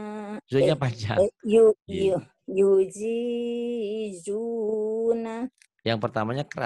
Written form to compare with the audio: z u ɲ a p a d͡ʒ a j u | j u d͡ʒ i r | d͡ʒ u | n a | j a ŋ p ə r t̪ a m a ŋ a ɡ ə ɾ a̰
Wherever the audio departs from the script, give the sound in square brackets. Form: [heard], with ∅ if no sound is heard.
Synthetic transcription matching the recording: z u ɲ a p a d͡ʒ a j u | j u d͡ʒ i [∅] | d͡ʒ u | n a | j a ŋ p ə r t̪ a m a [ɲ] a [k] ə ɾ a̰